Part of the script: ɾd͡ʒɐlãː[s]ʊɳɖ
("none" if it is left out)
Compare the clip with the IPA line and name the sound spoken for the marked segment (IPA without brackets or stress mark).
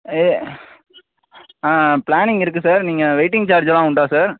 none